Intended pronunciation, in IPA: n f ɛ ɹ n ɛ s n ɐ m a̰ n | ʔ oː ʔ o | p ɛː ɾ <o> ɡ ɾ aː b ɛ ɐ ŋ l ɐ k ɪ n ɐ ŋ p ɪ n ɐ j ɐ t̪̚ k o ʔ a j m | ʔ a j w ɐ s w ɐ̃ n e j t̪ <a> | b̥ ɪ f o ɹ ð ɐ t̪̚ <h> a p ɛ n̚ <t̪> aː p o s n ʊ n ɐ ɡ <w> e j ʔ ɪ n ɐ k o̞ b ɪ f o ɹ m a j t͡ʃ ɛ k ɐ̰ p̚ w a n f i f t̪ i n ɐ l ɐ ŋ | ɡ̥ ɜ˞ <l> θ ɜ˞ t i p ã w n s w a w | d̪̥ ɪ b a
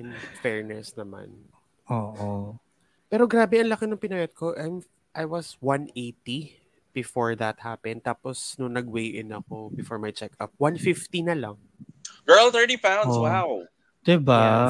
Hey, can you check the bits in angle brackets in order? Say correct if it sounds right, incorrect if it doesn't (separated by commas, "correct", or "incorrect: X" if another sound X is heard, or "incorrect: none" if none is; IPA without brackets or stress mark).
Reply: correct, incorrect: i, correct, correct, correct, correct